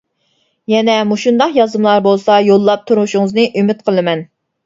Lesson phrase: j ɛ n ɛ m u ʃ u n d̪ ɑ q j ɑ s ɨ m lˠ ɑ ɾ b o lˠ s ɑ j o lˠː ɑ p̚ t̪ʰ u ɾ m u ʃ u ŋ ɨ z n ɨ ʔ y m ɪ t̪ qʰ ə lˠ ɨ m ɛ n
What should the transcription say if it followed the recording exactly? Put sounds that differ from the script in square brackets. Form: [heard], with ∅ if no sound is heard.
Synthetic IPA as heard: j ɛ n ɛ m u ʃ u n d̪ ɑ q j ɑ [z] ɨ m lˠ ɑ ɾ b o lˠ s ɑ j o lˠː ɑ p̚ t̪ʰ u ɾ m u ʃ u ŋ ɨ z n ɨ ʔ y m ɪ t̪ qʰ ə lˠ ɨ m ɛ n

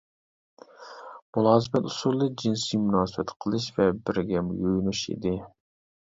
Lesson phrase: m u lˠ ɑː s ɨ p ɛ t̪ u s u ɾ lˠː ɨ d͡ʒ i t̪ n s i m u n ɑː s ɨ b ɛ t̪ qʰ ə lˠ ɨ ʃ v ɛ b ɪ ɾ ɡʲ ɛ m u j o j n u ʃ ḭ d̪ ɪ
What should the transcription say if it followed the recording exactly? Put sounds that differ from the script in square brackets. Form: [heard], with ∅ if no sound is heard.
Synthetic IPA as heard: m u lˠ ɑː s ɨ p ɛ t̪ u s u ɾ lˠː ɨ d͡ʒ i [∅] n s i m u n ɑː s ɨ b ɛ t̪ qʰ ə lˠ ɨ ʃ v ɛ b ɪ ɾ ɡʲ ɛ m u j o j n u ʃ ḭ d̪ ɪ

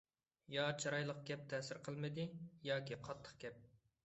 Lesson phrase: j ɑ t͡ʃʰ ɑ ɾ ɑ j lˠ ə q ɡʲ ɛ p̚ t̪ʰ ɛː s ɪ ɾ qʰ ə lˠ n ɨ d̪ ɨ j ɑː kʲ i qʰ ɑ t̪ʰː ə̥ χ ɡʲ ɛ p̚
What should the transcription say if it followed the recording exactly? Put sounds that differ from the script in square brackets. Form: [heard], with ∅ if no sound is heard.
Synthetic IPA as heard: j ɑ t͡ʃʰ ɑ ɾ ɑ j lˠ ə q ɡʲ ɛ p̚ t̪ʰ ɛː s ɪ ɾ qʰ ə lˠ [m] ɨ d̪ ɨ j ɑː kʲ i qʰ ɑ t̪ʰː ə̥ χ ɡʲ ɛ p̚

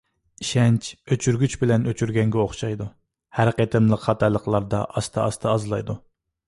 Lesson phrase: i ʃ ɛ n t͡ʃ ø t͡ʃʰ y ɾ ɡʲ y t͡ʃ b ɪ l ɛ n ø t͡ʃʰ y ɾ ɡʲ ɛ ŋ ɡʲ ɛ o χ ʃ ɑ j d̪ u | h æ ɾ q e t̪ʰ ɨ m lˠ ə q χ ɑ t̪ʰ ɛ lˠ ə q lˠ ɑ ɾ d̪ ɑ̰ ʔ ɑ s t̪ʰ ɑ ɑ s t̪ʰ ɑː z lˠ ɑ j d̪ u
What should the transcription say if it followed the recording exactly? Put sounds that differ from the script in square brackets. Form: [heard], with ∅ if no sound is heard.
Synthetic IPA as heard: i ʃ ɛ n t͡ʃ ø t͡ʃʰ y ɾ ɡʲ y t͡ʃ b ɪ l ɛ n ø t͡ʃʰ y ɾ ɡʲ ɛ ŋ ɡʲ ɛ o χ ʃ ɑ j d̪ u | h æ ɾ q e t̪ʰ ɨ m lˠ ə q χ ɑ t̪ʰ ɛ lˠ ə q lˠ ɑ ɾ d̪ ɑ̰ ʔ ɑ s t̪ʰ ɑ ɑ s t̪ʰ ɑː z lˠ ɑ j d̪ u

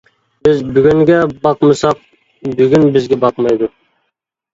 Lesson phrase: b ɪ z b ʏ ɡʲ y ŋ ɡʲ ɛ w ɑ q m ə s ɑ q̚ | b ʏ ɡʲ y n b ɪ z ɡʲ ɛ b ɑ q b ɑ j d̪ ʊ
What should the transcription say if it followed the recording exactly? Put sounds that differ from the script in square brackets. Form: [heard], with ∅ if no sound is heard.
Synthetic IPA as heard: b ɪ z b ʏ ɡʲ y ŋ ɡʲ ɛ [b] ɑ q m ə s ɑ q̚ | b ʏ ɡʲ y n b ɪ z ɡʲ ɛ b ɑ q [m] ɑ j d̪ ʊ

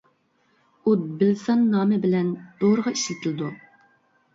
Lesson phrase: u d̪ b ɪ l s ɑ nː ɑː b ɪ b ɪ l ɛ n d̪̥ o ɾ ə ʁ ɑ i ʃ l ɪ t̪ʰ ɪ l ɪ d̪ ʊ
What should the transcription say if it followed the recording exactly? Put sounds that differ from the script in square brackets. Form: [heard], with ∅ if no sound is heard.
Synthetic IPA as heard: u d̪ b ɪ l s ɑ nː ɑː [m] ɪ b ɪ l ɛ n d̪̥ o ɾ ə ʁ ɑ i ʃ l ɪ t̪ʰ ɪ l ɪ d̪ [u]

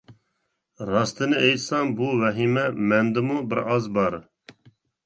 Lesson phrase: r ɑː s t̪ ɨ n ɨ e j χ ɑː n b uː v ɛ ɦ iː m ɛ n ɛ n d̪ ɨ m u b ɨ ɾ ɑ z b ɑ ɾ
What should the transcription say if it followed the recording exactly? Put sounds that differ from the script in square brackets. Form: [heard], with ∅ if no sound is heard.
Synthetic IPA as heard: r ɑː s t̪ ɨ n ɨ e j [s] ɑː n b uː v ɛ ɦ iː m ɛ [m] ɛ n d̪ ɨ m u b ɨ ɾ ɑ z b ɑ ɾ

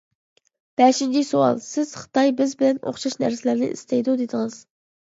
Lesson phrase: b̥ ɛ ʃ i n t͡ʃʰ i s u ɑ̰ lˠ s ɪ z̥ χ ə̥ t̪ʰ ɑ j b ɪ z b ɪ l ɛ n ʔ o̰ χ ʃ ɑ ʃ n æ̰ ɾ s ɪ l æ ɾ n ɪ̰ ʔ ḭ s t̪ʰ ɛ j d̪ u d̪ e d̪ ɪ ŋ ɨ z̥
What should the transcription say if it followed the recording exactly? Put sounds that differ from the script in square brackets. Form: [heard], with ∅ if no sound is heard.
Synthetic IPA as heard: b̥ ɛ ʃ i n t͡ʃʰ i s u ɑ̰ lˠ s ɪ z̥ χ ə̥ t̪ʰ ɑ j b ɪ z b ɪ l ɛ n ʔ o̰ χ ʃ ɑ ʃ n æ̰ ɾ s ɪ l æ ɾ n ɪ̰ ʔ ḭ s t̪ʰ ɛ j d̪ u d̪ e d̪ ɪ ŋ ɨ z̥

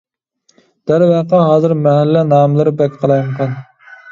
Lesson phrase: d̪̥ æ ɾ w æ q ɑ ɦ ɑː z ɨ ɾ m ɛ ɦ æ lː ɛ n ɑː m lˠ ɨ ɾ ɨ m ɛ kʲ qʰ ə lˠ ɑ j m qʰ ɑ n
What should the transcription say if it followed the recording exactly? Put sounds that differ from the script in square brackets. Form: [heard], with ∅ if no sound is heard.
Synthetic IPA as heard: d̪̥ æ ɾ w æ q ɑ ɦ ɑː z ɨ ɾ m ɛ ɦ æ lː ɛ n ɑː m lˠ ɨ ɾ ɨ [b] ɛ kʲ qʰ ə lˠ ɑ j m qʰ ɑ n

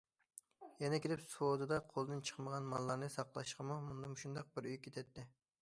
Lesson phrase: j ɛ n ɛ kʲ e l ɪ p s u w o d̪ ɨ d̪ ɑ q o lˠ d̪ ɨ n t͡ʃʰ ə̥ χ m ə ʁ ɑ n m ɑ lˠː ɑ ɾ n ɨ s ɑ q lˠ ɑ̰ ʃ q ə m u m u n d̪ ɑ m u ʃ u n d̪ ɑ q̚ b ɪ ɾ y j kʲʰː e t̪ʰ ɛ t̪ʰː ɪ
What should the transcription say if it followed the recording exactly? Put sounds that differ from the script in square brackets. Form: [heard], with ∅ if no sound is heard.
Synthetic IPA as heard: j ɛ n ɛ kʲ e l ɪ p s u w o d̪ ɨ d̪ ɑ [qʰ] o lˠ d̪ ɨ n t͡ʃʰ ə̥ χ m ə ʁ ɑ n m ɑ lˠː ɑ ɾ n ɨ s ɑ q lˠ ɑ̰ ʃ q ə m u m u n d̪ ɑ m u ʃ u n d̪ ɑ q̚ b ɪ ɾ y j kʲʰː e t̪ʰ ɛ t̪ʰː ɪ

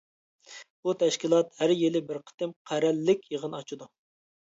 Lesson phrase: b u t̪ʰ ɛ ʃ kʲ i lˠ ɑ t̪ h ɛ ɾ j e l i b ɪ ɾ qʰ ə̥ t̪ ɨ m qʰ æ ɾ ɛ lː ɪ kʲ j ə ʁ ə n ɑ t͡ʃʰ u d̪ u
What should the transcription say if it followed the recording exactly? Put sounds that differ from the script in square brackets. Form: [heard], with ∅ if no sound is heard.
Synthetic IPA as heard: b u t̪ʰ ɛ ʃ kʲ i lˠ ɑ t̪ h [æ] ɾ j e l [ɪ] b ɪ ɾ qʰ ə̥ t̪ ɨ m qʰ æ ɾ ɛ lː ɪ kʲ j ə ʁ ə n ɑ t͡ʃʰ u d̪ u

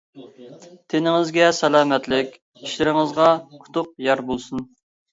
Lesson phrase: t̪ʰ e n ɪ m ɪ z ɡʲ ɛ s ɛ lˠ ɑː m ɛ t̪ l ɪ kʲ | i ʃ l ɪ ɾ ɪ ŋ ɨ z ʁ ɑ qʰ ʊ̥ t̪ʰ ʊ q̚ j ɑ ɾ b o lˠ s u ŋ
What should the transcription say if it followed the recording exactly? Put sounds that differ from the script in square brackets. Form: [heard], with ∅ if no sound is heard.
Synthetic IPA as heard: t̪ʰ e n ɪ [ŋ] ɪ z ɡʲ ɛ s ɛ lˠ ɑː m ɛ t̪ l ɪ kʲ | i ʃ l ɪ ɾ ɪ ŋ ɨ z ʁ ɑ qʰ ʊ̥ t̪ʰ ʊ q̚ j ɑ ɾ b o lˠ s u [n]

